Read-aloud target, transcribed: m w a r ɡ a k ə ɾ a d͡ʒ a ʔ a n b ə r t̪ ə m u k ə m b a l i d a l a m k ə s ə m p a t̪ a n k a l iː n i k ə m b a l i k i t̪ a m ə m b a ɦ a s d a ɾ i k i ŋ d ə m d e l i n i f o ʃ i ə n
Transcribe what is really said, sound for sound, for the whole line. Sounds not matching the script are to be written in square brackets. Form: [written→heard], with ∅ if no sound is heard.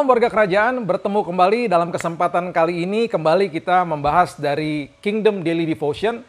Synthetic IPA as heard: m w a r ɡ a k ə ɾ a d͡ʒ a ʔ a n b ə r t̪ ə m u k ə m b a l i d a l a m k ə s ə m p a t̪ a n k a l iː n i k ə m b a l i k i t̪ a m ə m b a ɦ a s d a ɾ i k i ŋ d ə m d e l i [n→d] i f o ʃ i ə n

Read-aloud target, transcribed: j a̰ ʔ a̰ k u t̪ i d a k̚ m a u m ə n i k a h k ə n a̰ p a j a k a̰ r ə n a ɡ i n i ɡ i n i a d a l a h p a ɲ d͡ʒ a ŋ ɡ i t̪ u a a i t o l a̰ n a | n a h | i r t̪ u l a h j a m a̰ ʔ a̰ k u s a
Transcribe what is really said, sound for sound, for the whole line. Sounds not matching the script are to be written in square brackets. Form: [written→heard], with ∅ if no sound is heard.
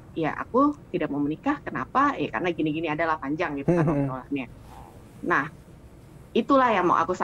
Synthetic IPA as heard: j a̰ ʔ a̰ k u t̪ i d a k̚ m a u m ə n i k a h k ə n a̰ p a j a k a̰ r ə n a ɡ i n i ɡ i n i a d a l a h p a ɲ d͡ʒ a ŋ ɡ i t̪ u a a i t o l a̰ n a | n a h | i [r→∅] t̪ u l a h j a m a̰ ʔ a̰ k u s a

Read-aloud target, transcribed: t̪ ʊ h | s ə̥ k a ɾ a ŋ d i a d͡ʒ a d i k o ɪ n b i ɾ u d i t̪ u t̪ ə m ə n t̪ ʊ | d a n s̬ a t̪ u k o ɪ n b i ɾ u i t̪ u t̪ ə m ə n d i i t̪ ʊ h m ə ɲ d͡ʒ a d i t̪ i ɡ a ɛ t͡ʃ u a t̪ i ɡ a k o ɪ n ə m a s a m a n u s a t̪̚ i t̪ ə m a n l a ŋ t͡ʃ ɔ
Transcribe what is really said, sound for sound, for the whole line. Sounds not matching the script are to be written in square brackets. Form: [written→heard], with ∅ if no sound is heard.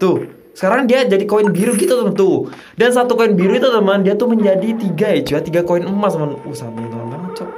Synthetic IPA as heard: t̪ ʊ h | s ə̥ k a ɾ a ŋ d i a d͡ʒ a d i k o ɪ n b i ɾ u [d→ɡ] i t̪ u t̪ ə m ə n t̪ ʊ | d a n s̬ a t̪ u k o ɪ n b i ɾ u i t̪ u t̪ ə m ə n d i [i→a] t̪ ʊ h m ə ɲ d͡ʒ a d i t̪ i ɡ a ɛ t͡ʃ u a t̪ i ɡ a k o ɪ n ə m a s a m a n u s a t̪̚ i t̪ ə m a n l a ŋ t͡ʃ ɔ

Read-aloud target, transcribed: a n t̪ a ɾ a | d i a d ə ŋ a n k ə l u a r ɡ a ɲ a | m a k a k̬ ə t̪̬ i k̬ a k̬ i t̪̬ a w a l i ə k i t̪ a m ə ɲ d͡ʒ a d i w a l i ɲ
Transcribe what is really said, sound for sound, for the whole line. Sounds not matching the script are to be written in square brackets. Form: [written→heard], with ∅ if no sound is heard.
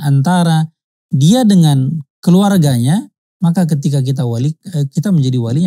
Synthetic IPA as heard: a n t̪ a ɾ a | d i a d ə ŋ a n k ə l u a r ɡ a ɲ a | m a k a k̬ ə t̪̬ i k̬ a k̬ i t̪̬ a w a l i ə k i t̪ a m ə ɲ d͡ʒ a d i w a l i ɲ

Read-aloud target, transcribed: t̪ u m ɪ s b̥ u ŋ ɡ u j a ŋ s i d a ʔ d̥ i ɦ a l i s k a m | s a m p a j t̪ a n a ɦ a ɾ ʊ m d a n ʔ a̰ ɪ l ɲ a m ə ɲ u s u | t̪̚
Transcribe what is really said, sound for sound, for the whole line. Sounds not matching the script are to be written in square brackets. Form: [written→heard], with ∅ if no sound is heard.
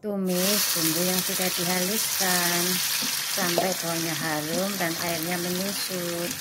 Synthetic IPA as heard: t̪ u m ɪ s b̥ u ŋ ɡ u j a ŋ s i d a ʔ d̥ i ɦ a l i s k a [m→n] | s a m p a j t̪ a [n→ɲ] a ɦ a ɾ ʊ m d a n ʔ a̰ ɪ [l→r] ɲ a m ə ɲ u s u | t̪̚

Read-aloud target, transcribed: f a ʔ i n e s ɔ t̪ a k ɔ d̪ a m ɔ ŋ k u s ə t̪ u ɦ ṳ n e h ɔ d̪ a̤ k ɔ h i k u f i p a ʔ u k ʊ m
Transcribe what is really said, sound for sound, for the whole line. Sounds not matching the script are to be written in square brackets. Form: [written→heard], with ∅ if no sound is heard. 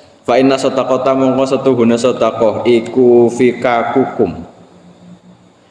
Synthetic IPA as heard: f a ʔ i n [e→a] s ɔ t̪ a k ɔ [d̪→t̪] a m ɔ ŋ k [u→ɔ] s ə t̪ u ɦ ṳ n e [h→s] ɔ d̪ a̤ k ɔ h i k u f i [p→k] a [ʔ→k] u k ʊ m

